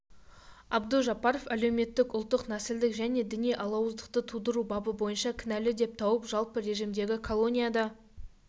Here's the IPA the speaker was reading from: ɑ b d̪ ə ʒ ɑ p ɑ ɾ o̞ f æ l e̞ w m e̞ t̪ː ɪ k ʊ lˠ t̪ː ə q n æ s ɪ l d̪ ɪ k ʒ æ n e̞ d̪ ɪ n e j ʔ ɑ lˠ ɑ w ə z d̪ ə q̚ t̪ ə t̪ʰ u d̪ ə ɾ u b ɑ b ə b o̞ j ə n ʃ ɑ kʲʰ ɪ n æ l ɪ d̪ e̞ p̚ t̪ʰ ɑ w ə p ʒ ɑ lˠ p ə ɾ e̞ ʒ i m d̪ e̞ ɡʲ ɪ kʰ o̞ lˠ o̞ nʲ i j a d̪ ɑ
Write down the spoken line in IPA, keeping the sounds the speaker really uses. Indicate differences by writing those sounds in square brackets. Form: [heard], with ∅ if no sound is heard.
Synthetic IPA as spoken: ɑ b d̪ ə ʒ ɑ p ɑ ɾ o̞ f æ l e̞ w m e̞ t̪ː ɪ k ʊ lˠ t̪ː ə q n æ s ɪ l d̪ ɪ k ʒ æ n e̞ d̪ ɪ n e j ʔ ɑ lˠ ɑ w ə z d̪ ə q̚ t̪ ə t̪ʰ u d̪ ə ɾ u b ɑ b ə b o̞ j ə n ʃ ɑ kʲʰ ɪ n æ l ɪ d̪ e̞ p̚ t̪ʰ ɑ w ə p ʒ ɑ lˠ p ə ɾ e̞ ʒ i m d̪ e̞ ɡʲ ɪ kʰ o̞ lˠ o̞ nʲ i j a d̪ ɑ